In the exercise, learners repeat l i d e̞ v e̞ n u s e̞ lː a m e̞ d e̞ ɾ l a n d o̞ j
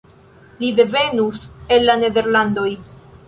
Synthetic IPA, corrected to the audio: l i d e̞ v e̞ n u s e̞ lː a n e̞ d e̞ ɾ l a n d o̞ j